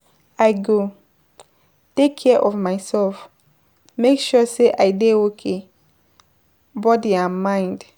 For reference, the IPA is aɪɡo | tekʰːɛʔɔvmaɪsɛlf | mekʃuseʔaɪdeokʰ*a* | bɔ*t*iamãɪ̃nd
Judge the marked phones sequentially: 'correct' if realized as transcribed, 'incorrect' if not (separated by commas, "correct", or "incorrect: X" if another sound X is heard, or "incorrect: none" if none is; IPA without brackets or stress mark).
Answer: incorrect: e, incorrect: d